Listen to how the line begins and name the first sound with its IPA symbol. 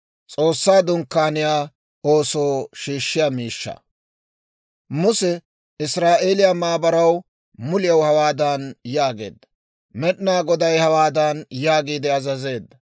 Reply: t͡sʼ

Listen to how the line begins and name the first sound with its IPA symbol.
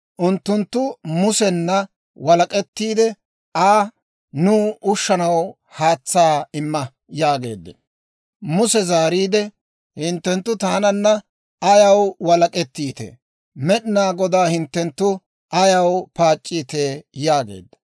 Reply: ʔ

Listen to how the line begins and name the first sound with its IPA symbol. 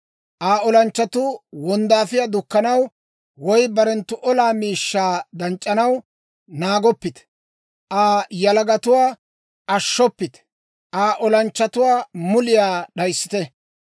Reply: ʔ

